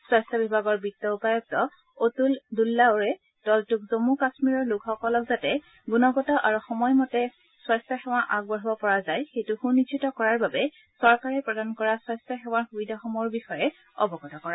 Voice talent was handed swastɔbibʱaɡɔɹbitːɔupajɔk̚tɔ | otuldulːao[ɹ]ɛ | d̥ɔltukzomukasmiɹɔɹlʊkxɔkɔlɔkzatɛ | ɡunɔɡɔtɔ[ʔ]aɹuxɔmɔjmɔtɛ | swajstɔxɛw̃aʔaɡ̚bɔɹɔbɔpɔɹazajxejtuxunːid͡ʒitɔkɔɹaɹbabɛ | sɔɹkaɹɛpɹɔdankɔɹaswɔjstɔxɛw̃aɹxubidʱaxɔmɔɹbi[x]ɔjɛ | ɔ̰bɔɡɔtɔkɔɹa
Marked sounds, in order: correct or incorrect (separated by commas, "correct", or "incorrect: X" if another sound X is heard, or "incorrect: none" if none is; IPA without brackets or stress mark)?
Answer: correct, correct, correct